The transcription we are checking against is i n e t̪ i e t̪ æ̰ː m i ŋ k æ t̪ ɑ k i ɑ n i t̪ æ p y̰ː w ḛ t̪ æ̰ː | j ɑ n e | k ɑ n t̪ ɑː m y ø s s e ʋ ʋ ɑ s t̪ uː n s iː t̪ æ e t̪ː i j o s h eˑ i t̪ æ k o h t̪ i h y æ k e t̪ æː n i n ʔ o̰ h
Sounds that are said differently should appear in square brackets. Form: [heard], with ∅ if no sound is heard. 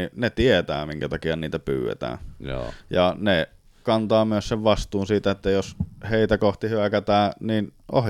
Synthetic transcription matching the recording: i n e t̪ i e t̪ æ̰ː m i ŋ k æ t̪ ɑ k i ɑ n [iː] t̪ æ p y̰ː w ḛ t̪ æ̰ː | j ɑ n e | k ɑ n t̪ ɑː m y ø s s e ʋ ʋ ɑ s t̪ uː n s iː t̪ æ e t̪ː [æ] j o s h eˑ i t̪ æ k o h t̪ i h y æ k [æ] t̪ æː n i n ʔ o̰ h